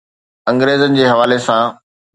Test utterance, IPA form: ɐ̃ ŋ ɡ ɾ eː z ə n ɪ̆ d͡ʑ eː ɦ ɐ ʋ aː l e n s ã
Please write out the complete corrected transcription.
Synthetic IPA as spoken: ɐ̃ ŋ ɡ ɾ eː z ə n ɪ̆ d͡ʑ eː ɦ ɐ ʋ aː l e s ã